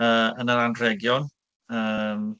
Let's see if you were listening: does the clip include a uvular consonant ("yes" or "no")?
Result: no